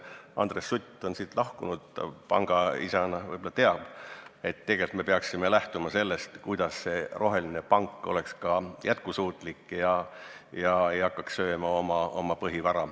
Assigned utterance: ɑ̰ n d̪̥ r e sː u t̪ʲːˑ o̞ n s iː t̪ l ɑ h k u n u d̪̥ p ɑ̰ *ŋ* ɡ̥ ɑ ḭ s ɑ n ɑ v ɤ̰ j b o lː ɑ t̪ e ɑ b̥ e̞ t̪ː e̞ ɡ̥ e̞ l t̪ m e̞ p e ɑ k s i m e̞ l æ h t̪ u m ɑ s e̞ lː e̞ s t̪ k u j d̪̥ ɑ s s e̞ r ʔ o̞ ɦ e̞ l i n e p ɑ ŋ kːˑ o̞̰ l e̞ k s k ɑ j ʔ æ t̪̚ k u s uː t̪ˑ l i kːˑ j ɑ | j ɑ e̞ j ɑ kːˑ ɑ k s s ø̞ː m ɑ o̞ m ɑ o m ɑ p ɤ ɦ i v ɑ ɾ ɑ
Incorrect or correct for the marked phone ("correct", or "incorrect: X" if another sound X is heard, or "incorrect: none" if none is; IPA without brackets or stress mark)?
correct